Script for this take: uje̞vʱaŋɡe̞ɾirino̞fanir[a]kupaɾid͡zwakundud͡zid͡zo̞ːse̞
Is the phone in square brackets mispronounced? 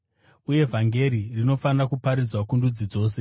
no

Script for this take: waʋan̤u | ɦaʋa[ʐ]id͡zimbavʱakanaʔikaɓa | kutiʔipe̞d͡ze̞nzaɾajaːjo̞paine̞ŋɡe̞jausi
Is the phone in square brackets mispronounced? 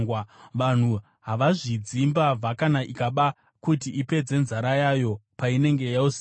no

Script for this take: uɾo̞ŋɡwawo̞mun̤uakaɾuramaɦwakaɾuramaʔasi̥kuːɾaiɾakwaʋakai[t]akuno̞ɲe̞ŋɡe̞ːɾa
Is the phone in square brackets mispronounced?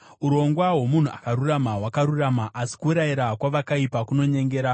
yes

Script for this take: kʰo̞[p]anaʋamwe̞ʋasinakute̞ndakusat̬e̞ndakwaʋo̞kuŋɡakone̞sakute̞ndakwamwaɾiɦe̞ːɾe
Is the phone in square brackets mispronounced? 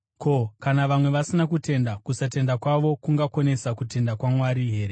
yes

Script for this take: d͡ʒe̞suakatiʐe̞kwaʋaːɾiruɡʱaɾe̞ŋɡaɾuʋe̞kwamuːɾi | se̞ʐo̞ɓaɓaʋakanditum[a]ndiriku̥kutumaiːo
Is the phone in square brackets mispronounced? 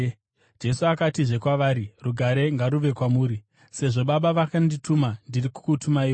no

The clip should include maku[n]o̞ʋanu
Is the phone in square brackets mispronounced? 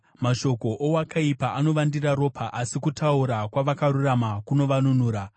no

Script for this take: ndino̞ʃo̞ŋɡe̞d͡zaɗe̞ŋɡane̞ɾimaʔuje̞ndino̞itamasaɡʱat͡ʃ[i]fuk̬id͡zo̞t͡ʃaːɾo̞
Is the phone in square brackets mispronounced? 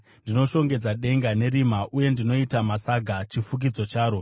no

